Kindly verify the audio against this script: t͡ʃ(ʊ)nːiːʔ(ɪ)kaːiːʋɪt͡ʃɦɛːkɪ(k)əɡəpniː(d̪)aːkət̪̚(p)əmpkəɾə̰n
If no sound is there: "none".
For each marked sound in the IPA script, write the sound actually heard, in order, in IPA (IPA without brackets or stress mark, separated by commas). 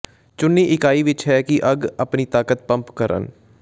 ʊ, ɪ, ʔ, t̪, p